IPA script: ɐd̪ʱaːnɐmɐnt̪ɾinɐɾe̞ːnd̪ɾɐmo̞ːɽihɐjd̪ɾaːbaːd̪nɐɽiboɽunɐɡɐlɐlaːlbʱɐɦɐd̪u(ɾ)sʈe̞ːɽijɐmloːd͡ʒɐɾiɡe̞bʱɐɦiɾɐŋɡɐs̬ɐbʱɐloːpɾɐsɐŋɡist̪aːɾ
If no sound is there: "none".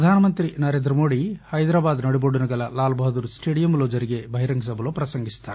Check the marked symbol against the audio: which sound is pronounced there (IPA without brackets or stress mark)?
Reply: ɾ